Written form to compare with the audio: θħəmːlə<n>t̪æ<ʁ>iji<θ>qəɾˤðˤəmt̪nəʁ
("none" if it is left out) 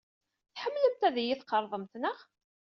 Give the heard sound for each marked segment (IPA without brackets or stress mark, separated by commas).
m, ð, θ